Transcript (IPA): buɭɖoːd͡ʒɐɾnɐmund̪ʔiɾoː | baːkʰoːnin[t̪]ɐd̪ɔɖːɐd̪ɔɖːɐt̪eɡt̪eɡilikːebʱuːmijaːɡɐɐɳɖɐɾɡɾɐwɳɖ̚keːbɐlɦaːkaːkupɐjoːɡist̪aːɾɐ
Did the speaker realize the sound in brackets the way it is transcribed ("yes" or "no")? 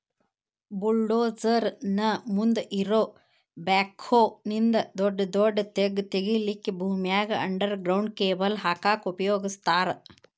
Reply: no